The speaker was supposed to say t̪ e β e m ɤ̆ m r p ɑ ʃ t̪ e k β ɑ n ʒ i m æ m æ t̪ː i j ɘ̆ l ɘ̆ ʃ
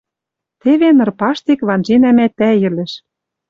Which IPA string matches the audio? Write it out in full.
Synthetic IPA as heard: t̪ e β e n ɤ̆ r p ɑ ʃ t̪ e k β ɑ n ʒ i n æ m æ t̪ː æ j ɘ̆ l ɘ̆ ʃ